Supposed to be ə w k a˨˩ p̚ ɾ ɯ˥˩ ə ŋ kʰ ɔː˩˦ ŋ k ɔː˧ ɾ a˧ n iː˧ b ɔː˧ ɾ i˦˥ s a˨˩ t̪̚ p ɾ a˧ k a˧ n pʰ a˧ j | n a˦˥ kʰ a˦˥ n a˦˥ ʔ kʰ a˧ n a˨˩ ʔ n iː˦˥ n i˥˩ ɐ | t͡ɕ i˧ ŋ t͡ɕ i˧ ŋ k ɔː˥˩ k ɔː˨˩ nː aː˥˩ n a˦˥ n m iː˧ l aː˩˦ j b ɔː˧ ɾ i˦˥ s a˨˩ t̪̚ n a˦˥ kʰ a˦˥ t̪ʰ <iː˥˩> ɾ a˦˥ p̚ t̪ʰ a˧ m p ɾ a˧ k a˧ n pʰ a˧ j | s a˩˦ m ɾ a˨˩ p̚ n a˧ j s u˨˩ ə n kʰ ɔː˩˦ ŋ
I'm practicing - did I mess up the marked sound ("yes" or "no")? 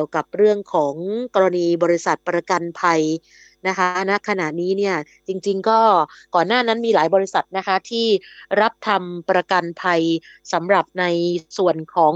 no